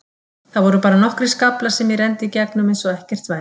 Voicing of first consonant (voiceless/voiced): voiceless